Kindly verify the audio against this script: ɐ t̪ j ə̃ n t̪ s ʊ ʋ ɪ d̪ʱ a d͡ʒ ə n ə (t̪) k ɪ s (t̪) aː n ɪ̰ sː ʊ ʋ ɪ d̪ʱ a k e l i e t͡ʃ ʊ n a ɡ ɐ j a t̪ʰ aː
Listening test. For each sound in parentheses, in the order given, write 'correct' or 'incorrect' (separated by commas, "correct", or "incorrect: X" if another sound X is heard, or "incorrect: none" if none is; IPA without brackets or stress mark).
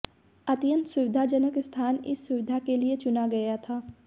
incorrect: none, incorrect: t̪ʰ